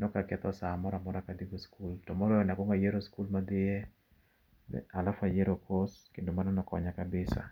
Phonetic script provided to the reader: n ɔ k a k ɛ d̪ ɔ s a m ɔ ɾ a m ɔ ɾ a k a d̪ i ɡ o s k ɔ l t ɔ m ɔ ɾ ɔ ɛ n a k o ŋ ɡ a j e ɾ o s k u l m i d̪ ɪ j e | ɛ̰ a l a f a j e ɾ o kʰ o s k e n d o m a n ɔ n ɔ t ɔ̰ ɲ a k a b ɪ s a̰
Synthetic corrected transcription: n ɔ k a k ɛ t̪ ɔ s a m ɔ ɾ a m ɔ ɾ a k a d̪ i ɡ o s k u l t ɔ m ɔ ɾ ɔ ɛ n a k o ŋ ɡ a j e ɾ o s k u l m a d̪ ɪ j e | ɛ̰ a l a f a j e ɾ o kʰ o s k e n d o m a n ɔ n ɔ k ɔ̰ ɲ a k a b ɪ s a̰